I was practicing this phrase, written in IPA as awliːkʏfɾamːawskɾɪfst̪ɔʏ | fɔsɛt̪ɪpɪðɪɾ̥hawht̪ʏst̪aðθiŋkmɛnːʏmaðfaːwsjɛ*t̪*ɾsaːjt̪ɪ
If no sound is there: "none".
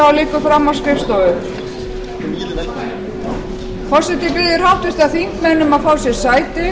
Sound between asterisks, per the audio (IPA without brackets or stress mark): none